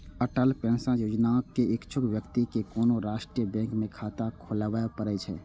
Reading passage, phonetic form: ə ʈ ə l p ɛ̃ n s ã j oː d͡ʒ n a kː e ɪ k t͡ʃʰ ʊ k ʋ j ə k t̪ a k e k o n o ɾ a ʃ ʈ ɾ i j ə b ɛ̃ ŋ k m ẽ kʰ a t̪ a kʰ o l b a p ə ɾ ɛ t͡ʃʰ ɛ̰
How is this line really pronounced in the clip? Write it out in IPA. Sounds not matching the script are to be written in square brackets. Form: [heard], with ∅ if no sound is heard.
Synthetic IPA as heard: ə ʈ ə l p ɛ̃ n s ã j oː d͡ʒ n a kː e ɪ k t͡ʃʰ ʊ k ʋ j ə k t̪ [i] k e k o n o ɾ a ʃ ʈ ɾ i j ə b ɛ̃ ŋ k m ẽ kʰ a t̪ a kʰ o l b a p ə ɾ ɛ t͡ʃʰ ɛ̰